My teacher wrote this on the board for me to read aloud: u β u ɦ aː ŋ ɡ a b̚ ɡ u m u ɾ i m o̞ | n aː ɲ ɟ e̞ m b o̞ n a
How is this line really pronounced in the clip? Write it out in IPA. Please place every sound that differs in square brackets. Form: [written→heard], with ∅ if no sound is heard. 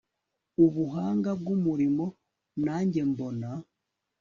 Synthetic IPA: u β u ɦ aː ŋ ɡ a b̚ ɡ u m u ɾ i m o̞ | n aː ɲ ɟ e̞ m b o̞ n a